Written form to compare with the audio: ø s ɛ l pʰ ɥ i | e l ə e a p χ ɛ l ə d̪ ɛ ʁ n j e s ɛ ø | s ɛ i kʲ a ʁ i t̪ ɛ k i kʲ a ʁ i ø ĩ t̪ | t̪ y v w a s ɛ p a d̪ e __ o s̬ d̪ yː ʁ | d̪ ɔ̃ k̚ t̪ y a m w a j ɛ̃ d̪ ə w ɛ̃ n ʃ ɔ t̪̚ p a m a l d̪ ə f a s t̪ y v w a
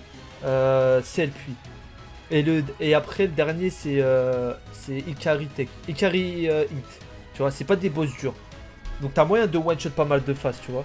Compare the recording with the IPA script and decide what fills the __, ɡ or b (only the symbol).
b